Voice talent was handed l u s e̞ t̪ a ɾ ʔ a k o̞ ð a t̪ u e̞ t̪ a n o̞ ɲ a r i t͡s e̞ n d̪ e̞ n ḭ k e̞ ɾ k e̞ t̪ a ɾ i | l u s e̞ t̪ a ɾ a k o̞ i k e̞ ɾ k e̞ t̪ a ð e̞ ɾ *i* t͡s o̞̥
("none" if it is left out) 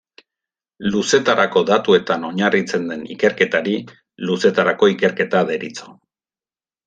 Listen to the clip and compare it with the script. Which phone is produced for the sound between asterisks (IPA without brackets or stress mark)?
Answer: i